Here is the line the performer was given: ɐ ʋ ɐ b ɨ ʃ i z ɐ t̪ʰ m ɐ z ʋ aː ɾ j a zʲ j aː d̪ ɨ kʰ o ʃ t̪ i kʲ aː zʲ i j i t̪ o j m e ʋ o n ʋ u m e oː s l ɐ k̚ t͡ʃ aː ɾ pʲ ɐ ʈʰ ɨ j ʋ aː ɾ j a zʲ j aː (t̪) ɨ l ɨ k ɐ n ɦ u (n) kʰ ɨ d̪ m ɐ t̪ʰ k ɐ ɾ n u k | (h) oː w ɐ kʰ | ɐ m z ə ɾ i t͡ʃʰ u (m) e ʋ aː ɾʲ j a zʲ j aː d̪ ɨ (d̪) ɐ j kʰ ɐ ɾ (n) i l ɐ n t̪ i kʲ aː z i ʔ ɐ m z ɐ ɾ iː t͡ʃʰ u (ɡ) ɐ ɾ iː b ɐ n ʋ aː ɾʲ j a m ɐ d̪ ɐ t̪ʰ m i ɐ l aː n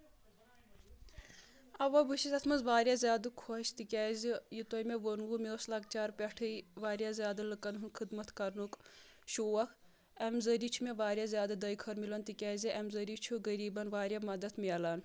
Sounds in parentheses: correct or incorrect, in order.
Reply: incorrect, correct, incorrect, correct, correct, incorrect, correct

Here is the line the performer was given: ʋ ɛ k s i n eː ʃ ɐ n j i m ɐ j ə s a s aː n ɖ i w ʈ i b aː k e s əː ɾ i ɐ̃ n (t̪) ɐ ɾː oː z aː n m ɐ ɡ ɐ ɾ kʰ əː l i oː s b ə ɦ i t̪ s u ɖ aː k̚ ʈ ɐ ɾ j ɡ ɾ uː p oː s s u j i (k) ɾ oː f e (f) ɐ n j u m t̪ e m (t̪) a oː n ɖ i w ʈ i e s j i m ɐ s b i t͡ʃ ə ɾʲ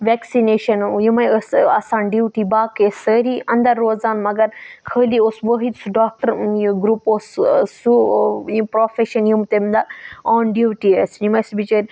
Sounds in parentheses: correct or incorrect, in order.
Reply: incorrect, incorrect, incorrect, incorrect

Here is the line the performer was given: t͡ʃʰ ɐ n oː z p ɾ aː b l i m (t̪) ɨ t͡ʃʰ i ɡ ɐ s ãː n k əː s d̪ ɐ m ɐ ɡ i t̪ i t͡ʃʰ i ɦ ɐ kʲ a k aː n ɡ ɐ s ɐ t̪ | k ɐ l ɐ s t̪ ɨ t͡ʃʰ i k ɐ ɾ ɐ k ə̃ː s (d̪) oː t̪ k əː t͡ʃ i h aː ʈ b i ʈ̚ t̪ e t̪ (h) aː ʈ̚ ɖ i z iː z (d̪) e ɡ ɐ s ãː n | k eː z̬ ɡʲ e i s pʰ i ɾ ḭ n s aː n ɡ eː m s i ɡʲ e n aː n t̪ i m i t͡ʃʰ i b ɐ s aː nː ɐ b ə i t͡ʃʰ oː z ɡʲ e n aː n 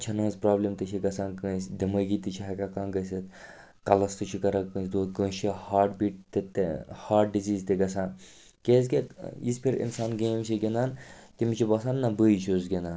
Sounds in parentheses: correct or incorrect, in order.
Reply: correct, correct, correct, incorrect

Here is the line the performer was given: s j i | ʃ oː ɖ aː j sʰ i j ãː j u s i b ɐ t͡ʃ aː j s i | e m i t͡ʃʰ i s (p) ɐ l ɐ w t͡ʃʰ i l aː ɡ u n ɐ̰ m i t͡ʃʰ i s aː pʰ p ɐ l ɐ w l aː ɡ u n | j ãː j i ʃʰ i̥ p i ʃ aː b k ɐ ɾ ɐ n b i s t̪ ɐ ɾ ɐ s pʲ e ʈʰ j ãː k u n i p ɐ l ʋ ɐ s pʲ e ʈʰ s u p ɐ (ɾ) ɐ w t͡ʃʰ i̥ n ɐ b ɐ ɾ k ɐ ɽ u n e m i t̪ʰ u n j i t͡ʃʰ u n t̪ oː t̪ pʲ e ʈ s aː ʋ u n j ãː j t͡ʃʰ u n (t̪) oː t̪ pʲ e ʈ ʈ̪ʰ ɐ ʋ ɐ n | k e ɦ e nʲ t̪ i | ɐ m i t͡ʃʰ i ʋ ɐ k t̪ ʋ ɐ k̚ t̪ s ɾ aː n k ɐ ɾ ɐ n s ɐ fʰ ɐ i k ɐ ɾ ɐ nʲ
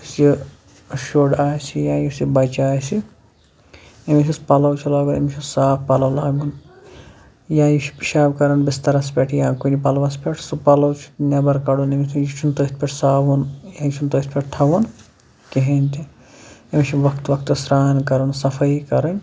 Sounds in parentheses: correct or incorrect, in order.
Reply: correct, incorrect, correct

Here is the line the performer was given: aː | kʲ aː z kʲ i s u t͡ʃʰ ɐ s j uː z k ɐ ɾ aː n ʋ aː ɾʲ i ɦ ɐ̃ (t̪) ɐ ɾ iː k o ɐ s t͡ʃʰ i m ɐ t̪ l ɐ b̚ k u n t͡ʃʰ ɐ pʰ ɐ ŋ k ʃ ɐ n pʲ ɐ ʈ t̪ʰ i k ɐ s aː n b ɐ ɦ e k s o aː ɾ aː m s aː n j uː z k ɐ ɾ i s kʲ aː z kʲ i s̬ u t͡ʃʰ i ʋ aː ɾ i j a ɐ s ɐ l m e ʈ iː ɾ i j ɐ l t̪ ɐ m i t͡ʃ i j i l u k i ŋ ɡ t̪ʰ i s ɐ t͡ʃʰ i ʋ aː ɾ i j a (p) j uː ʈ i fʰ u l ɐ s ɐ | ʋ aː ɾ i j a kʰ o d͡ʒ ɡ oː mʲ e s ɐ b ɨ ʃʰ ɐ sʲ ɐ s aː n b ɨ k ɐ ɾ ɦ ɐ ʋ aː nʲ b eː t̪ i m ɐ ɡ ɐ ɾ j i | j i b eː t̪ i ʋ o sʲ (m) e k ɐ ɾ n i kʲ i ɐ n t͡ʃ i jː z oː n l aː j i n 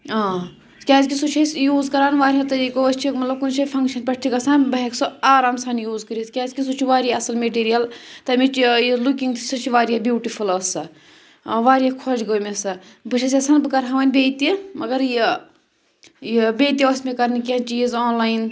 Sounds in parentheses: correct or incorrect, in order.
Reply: correct, incorrect, correct

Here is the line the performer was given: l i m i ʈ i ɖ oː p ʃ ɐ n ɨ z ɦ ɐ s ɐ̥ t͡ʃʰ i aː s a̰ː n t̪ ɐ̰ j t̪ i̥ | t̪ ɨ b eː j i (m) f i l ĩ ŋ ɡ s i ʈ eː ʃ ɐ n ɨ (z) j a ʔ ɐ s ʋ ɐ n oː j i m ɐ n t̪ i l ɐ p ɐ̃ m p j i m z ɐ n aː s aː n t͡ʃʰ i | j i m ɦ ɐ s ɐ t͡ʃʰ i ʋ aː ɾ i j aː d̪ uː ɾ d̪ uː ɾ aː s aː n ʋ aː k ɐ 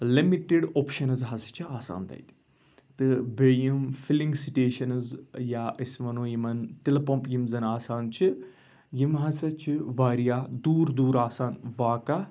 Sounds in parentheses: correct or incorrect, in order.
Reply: correct, correct

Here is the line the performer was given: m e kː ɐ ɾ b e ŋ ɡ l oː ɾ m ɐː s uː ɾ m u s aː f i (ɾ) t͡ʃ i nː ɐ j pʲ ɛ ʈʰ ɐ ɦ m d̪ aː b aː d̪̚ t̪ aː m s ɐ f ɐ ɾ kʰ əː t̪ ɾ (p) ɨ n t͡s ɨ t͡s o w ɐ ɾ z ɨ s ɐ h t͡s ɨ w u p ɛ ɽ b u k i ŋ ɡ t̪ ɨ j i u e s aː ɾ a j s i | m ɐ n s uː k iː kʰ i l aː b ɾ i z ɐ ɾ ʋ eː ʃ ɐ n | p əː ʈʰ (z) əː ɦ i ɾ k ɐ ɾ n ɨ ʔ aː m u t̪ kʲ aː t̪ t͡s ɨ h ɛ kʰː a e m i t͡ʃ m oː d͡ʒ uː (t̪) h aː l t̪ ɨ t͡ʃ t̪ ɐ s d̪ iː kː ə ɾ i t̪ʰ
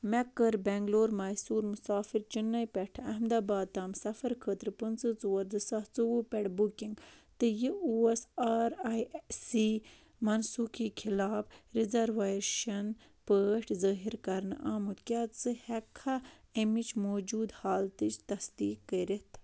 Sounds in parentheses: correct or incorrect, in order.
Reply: correct, correct, correct, incorrect

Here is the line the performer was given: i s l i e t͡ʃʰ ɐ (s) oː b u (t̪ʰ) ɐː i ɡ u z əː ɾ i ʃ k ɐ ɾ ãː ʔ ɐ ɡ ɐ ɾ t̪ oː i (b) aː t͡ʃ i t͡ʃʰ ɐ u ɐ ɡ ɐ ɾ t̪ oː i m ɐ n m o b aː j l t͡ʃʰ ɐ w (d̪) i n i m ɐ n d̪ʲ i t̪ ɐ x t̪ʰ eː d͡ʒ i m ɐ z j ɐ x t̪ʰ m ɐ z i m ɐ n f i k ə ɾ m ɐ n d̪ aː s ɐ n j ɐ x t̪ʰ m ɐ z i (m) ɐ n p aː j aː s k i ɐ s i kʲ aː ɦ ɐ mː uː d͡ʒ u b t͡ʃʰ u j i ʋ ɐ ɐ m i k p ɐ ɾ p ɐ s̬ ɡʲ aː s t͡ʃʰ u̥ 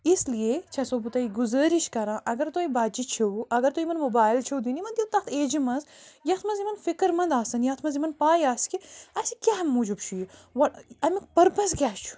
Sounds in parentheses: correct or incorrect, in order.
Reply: correct, incorrect, correct, correct, correct

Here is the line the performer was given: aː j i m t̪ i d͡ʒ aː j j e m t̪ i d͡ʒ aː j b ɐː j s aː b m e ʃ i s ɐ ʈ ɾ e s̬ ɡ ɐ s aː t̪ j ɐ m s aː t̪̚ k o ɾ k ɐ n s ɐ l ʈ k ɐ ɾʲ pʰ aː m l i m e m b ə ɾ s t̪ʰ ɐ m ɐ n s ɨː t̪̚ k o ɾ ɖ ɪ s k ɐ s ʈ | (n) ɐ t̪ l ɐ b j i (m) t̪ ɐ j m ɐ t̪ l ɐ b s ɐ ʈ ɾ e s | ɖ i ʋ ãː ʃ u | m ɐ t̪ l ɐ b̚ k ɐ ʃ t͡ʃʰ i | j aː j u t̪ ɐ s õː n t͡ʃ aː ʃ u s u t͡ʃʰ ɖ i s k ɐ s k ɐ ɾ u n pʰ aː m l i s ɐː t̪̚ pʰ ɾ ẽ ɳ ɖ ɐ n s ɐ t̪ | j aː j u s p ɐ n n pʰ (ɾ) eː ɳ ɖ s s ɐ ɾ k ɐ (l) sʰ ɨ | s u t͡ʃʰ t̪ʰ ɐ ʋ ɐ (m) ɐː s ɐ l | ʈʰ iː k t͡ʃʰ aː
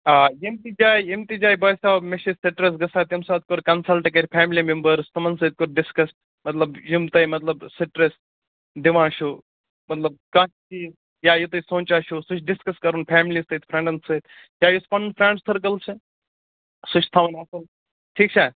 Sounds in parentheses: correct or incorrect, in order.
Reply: incorrect, correct, correct, correct, incorrect

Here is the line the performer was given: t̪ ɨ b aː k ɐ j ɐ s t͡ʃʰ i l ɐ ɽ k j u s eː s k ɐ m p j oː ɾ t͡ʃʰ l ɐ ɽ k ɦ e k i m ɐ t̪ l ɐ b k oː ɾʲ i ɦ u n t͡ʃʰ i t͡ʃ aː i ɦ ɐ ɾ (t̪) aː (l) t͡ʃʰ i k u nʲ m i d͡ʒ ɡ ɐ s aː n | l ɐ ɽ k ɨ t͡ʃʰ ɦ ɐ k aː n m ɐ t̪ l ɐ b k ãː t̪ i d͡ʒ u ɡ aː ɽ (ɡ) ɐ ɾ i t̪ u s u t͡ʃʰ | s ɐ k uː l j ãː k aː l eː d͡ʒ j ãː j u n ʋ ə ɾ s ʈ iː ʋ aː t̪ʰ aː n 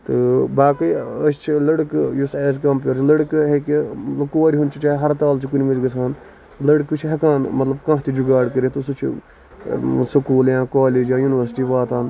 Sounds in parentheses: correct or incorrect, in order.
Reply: correct, correct, incorrect

